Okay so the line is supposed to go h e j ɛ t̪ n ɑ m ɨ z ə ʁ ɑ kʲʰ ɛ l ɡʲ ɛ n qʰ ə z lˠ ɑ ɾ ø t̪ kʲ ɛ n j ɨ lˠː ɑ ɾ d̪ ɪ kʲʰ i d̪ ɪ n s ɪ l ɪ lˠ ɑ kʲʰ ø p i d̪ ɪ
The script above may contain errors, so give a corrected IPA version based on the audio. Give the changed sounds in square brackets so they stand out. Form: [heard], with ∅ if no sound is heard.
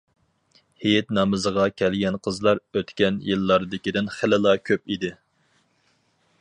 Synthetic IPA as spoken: h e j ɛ t̪ n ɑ m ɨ z ə ʁ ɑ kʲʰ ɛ l ɡʲ ɛ n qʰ ə z lˠ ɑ ɾ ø t̪ kʲ ɛ n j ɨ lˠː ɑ ɾ d̪ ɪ [kʲ] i d̪ ɪ n [χ] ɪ l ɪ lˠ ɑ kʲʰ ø p i d̪ ɪ